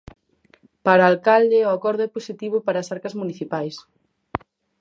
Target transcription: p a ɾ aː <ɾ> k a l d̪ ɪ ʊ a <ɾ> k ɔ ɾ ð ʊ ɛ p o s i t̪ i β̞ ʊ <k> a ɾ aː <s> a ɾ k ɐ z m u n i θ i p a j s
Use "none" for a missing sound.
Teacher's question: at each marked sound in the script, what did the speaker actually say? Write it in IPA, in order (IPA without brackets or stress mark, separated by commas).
l, none, p, s